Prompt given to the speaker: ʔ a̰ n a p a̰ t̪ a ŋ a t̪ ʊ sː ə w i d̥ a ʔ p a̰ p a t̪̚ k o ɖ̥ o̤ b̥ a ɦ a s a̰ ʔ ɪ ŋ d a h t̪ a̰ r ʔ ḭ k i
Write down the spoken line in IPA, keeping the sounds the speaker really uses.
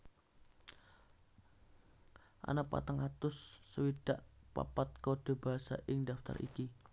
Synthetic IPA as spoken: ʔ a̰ n a p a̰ t̪ a ŋ a t̪ ʊ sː ə w i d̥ a ʔ p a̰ p a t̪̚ k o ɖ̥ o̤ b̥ a ɦ a s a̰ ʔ ɪ ŋ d a f t̪ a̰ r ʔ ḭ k i